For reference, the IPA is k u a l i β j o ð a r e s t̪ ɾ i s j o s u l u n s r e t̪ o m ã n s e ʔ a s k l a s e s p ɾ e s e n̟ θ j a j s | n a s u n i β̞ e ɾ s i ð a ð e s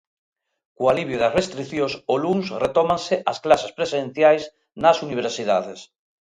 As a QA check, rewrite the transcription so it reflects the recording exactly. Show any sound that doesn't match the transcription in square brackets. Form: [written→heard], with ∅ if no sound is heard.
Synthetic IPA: k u a l i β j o ð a r e s t̪ ɾ i [s→θ] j o s [u→o] l u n s r e t̪ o m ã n s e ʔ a s k l a s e s p ɾ e s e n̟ θ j a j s | n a s u n i β̞ e ɾ s i ð a ð e s